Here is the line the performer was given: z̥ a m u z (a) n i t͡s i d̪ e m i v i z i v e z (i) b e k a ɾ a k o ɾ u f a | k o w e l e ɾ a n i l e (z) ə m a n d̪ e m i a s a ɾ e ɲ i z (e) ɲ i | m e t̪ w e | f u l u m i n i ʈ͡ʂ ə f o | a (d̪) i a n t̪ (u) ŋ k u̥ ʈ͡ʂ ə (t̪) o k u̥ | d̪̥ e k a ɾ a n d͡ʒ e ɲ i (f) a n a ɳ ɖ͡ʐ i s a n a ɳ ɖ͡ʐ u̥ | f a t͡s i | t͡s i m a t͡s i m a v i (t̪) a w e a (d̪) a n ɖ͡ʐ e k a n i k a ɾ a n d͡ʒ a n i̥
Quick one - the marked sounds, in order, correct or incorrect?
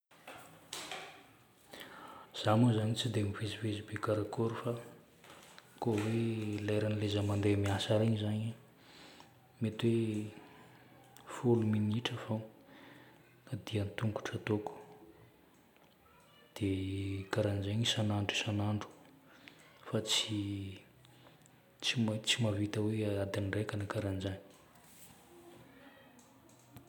correct, correct, correct, incorrect: a, correct, correct, correct, incorrect: s, correct, correct

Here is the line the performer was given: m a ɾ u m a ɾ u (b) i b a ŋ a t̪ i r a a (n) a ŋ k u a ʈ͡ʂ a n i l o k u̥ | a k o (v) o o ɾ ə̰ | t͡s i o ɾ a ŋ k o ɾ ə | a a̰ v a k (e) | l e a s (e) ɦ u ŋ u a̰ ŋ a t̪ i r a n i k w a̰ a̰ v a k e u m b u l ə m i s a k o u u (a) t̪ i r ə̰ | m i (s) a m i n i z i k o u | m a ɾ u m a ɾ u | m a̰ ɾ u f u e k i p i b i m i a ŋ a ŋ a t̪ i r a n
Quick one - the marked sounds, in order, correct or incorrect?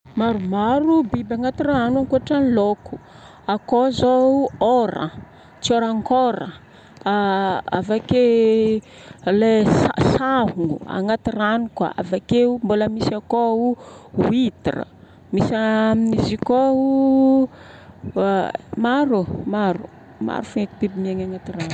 correct, correct, incorrect: z, correct, incorrect: a, incorrect: i, correct

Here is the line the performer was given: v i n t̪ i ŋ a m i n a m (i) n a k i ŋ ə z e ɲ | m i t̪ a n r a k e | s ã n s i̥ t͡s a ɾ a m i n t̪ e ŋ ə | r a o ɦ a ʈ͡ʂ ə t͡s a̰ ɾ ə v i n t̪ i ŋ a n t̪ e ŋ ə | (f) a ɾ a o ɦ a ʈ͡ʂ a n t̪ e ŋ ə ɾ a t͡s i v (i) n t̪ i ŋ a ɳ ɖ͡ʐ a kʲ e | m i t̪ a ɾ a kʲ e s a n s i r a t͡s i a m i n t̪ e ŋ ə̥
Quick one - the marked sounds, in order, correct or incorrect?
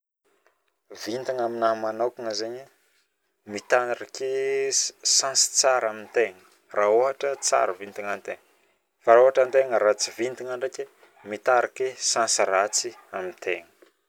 incorrect: a, correct, correct

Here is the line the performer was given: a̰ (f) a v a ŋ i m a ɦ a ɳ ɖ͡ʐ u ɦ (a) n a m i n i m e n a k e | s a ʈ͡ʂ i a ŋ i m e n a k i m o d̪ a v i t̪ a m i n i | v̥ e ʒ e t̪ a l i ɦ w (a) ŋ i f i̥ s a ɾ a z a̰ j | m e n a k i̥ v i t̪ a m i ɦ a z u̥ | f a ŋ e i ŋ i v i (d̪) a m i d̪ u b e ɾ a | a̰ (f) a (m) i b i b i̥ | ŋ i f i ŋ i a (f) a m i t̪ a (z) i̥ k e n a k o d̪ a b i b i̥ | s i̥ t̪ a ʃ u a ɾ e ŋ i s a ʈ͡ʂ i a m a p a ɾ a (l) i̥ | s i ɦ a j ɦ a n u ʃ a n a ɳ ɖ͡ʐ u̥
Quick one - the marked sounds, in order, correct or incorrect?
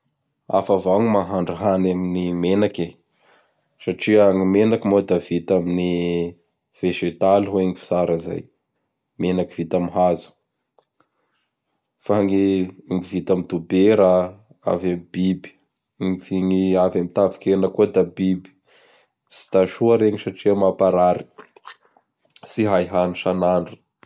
correct, correct, incorrect: e, incorrect: t̪, incorrect: v, correct, incorrect: v, incorrect: v, incorrect: ɾ

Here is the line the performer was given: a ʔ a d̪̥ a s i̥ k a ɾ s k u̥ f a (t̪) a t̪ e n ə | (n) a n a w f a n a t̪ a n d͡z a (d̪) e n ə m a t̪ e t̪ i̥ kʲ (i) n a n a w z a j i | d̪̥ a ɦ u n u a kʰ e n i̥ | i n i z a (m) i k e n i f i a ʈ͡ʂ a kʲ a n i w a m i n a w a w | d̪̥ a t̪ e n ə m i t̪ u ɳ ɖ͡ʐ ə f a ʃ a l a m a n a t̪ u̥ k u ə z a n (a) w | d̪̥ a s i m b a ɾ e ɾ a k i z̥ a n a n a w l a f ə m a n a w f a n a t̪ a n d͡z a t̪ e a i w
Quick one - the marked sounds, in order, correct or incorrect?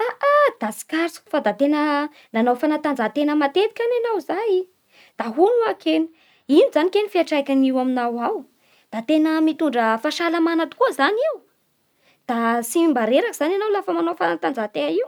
incorrect: d̪, correct, incorrect: t̪, incorrect: a, incorrect: n, incorrect: i

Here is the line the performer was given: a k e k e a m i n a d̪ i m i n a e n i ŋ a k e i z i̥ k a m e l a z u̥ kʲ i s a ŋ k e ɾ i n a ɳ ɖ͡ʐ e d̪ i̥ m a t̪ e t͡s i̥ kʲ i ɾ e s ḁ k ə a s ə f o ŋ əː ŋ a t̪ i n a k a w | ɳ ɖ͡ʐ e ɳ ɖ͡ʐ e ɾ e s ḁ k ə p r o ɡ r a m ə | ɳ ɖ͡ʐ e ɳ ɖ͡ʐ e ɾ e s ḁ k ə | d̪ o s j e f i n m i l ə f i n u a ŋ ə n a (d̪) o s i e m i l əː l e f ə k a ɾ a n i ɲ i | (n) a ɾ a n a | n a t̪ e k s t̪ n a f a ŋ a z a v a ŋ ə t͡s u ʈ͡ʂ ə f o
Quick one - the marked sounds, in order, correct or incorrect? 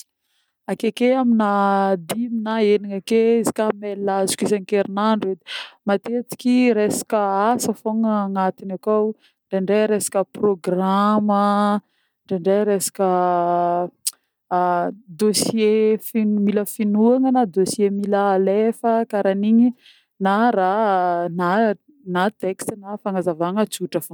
correct, correct

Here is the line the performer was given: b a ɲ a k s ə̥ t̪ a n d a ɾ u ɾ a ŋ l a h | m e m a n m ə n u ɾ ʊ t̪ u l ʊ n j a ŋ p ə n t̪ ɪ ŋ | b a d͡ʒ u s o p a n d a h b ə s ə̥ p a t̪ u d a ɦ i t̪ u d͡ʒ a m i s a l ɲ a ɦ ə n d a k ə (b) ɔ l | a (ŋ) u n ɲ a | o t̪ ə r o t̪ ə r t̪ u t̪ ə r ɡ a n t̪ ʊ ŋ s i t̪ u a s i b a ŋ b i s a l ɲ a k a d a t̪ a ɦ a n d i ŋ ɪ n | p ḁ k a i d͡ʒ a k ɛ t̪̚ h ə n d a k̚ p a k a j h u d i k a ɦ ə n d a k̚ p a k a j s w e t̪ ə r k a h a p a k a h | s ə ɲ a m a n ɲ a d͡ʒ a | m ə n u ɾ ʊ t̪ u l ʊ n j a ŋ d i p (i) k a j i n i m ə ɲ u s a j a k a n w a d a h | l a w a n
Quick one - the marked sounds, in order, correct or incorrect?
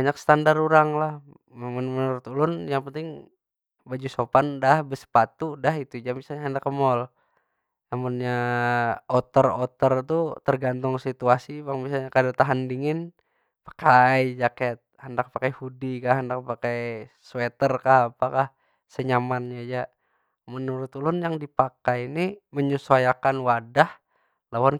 incorrect: m, incorrect: m, incorrect: a

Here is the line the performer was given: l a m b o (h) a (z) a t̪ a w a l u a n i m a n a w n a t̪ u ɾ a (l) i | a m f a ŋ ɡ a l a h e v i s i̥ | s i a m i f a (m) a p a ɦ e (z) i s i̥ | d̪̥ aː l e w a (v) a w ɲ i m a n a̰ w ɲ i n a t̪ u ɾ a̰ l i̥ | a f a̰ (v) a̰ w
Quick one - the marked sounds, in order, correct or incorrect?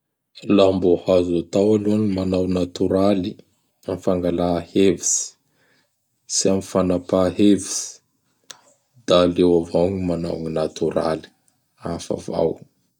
correct, correct, correct, incorrect: n, incorrect: v, correct, correct

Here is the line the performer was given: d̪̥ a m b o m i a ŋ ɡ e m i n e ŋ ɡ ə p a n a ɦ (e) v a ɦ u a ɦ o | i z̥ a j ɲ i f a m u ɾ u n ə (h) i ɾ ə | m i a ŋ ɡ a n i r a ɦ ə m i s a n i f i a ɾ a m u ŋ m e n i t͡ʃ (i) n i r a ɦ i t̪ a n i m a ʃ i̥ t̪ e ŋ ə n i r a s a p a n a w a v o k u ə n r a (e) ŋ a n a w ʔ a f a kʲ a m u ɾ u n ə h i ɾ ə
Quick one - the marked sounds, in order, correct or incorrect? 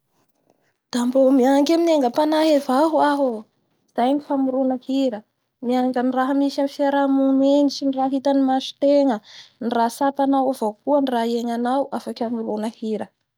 correct, correct, correct, correct

